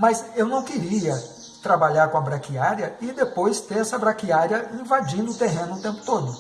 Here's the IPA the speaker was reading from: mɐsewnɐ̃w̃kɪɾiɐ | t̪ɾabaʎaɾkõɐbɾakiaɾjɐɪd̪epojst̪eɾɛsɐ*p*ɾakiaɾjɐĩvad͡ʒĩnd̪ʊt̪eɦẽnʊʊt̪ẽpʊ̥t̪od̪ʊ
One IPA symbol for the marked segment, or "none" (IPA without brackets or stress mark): b